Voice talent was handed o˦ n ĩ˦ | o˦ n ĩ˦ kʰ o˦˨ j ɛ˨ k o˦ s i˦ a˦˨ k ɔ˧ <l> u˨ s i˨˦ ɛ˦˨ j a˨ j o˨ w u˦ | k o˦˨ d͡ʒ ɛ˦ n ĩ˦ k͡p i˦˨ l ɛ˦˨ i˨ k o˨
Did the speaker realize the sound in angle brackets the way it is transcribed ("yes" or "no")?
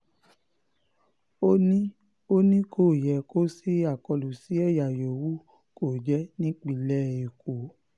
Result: yes